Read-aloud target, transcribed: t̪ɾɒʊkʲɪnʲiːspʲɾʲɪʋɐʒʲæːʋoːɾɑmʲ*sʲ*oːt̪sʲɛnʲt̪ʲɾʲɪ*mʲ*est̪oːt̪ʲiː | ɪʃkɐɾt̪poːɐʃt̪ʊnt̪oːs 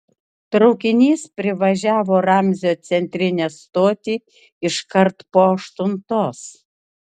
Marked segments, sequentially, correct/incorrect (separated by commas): incorrect, incorrect